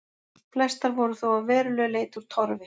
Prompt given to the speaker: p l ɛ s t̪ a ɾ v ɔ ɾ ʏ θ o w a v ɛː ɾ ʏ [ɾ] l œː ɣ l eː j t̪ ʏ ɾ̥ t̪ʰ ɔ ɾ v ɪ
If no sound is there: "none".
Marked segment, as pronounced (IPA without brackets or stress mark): none